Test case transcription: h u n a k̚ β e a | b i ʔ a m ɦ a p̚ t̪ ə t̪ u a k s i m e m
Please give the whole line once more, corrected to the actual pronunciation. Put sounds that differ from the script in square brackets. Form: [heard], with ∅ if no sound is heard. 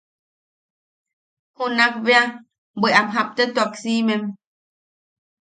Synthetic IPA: h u n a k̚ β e a | b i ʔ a m ɦ a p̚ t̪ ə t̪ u a k s i m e m

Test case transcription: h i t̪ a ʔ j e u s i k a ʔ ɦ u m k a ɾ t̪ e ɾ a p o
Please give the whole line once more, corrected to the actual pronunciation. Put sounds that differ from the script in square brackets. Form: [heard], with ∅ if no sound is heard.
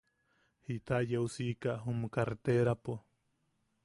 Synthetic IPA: h i t̪ a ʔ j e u s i k a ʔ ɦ u m k a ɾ t̪ e ɾ a p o

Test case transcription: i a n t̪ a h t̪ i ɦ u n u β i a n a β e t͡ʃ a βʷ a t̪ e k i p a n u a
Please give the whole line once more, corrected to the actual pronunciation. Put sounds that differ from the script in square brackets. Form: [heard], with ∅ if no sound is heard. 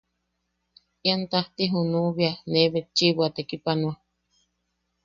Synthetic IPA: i a n t̪ a h t̪ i ɦ u n u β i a n [e] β e t͡ʃ [i] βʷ a t̪ e k i p a n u a

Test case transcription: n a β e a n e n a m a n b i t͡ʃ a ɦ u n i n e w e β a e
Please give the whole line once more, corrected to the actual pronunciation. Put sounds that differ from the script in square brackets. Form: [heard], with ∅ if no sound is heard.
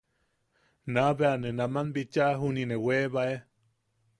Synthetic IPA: n a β e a n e n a m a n b i t͡ʃ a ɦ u n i n e w e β a e

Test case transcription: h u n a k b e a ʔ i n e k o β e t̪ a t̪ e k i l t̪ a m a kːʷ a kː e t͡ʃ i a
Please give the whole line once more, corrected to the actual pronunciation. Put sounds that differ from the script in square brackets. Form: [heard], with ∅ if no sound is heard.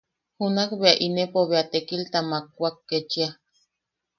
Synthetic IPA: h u n a k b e a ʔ i n e [p] o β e [∅] a t̪ e k i l t̪ a m a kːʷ a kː e t͡ʃ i a

